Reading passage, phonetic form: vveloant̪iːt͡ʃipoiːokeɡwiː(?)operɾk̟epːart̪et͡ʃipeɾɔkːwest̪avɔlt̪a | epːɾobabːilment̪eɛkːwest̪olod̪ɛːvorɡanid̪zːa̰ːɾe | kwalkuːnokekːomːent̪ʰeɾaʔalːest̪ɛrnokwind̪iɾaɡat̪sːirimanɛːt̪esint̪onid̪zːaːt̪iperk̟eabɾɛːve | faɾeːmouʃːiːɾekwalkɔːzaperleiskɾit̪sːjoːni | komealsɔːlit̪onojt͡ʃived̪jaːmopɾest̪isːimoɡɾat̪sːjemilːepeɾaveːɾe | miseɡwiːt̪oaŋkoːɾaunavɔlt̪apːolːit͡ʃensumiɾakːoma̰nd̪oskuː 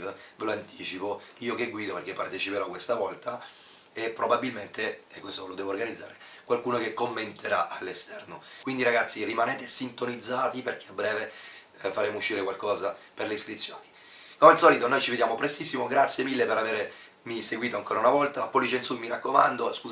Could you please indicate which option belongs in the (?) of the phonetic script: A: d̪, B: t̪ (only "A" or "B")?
A